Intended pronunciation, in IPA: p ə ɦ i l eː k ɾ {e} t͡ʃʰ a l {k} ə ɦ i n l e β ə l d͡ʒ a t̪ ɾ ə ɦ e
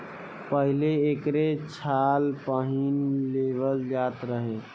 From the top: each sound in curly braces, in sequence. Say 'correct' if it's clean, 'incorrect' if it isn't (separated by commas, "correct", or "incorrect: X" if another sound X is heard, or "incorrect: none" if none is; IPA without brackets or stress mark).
correct, incorrect: p